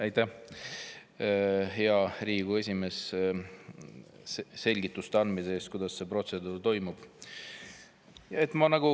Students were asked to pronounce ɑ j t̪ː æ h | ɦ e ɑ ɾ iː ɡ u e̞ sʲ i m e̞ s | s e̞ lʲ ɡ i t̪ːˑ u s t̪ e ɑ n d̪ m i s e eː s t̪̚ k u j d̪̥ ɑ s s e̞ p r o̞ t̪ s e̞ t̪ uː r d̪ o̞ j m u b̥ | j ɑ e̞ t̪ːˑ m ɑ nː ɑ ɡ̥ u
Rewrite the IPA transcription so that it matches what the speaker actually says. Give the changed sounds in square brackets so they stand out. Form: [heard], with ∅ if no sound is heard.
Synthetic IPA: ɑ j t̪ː æ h | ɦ e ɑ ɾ iː ɡ u e̞ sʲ i m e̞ s | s e̞ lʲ ɡ i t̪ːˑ u s t̪ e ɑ n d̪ m i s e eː s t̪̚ k u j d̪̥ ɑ s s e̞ p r o̞ t̪ s e̞ [d̪] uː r [t̪] o̞ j m u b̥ | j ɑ e̞ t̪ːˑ m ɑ [n] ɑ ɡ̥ u